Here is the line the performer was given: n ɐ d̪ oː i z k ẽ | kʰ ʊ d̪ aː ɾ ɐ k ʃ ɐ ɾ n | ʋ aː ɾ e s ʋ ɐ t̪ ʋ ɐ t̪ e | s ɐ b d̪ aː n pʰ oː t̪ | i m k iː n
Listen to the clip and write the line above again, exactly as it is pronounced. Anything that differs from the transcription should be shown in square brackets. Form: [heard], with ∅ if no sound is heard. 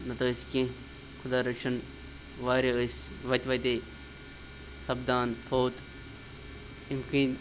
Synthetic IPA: n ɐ [t̪] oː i [s] k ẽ | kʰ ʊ d̪ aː ɾ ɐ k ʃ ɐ [∅] n | ʋ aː ɾ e s ʋ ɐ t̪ ʋ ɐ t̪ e | s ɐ b d̪ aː n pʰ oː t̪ | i m k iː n